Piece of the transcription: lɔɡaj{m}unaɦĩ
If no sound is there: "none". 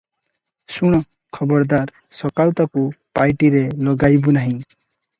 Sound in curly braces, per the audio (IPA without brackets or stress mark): b